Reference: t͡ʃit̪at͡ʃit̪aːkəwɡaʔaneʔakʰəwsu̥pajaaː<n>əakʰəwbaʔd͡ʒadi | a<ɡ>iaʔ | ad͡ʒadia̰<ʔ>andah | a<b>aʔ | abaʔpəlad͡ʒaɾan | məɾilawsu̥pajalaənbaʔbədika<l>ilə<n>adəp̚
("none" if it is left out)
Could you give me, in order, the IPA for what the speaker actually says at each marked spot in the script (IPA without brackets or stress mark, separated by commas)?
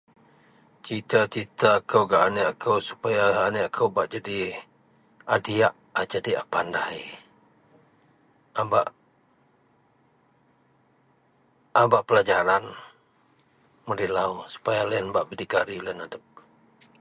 n, d, p, b, ɾ, n